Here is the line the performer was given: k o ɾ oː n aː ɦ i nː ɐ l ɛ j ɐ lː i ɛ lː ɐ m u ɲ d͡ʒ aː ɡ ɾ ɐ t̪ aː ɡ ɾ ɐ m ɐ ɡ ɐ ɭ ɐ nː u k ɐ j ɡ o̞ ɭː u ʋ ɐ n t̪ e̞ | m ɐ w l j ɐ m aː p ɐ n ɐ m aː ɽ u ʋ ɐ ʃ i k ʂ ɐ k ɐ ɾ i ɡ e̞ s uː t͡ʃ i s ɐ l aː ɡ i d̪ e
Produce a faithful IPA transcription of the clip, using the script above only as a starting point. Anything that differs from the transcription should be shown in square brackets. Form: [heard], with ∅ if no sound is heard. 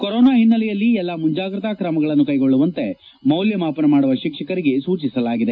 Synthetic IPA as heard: k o ɾ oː n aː ɦ i nː ɐ l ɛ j ɐ lː i ɛ lː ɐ m u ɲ d͡ʒ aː ɡ ɾ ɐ t̪ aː [k] ɾ ɐ m ɐ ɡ ɐ ɭ ɐ nː u k ɐ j ɡ o̞ ɭː u ʋ ɐ n t̪ e̞ | m ɐ w l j ɐ m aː p ɐ n ɐ m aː ɽ u ʋ ɐ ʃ i k ʂ ɐ k ɐ ɾ i ɡ e̞ s uː t͡ʃ i s ɐ l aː ɡ i d̪ e